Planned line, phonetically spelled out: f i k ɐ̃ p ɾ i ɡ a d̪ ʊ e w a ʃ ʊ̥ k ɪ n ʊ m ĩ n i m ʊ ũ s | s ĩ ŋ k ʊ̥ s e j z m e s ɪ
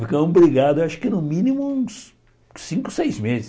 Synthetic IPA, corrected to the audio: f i k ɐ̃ b ɾ i ɡ a d̪ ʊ e w a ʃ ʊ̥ k ɪ n ʊ m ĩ n i m ʊ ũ s | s ĩ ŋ k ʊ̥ s e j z m e z ɪ